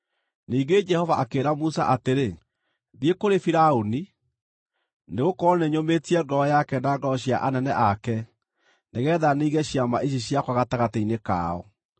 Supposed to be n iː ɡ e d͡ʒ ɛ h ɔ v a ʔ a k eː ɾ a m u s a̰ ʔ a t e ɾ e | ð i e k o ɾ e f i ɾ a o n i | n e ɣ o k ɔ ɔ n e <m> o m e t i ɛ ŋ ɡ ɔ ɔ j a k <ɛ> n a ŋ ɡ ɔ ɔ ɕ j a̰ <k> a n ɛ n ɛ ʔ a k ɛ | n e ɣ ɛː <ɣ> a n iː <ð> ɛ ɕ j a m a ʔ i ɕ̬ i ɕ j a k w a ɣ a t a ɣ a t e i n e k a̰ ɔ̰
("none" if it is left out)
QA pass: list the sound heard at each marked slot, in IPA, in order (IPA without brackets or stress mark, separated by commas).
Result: ɲ, ɛ, ʔ, ð, ɣ